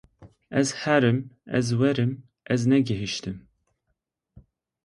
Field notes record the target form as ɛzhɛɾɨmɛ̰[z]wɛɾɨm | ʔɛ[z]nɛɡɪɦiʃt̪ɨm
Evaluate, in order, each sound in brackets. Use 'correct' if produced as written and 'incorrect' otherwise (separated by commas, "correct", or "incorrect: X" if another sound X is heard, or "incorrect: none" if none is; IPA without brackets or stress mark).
correct, correct